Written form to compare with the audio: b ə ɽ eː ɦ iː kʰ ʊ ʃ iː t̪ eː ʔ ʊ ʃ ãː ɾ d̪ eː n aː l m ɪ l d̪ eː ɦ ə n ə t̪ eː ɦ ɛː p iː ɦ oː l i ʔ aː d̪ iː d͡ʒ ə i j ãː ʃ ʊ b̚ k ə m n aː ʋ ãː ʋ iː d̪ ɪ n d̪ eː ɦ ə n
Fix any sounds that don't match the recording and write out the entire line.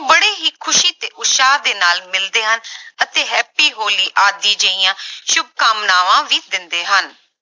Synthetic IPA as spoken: b ə ɽ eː ɦ iː kʰ ʊ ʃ iː t̪ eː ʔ ʊ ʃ aː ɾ d̪ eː n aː l m ɪ l d̪ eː ɦ ə n ə t̪ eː ɦ ɛː p iː ɦ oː l iː ʔ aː d̪ iː d͡ʒ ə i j ãː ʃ ʊ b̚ k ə m n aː ʋ ãː ʋ iː d̪ ɪ n d̪ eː ɦ ə n